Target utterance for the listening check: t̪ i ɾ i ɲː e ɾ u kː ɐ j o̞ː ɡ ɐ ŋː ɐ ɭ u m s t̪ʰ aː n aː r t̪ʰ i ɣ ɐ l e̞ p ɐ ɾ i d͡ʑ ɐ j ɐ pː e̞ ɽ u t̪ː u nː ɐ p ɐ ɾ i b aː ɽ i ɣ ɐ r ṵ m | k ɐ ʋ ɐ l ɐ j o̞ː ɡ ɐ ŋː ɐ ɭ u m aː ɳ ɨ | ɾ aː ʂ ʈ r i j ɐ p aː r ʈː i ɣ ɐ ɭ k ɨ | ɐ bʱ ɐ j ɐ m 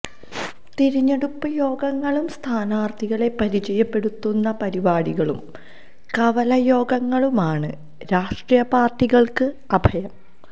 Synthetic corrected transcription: t̪ i ɾ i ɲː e ɽ u pː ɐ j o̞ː ɡ ɐ ŋː ɐ ɭ u m s t̪ʰ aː n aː r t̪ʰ i ɣ ɐ ɭ e̞ p ɐ ɾ i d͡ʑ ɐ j ɐ pː e̞ ɽ u t̪ː u nː ɐ p ɐ ɾ i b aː ɽ i ɣ ɐ ɭ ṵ m | k ɐ ʋ ɐ l ɐ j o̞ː ɡ ɐ ŋː ɐ ɭ u m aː ɳ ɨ | ɾ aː ʂ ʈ r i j ɐ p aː r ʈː i ɣ ɐ ɭ k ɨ | ɐ bʱ ɐ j ɐ m